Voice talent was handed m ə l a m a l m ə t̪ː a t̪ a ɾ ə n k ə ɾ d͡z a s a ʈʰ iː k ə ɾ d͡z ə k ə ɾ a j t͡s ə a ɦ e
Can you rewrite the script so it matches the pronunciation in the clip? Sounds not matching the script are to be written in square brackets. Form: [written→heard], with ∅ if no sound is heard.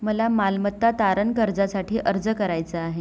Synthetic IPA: m ə l a m a l m ə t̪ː a t̪ a ɾ ə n k ə ɾ d͡z a s a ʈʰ iː [k→ʔ] ə ɾ d͡z ə k ə ɾ a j t͡s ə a ɦ e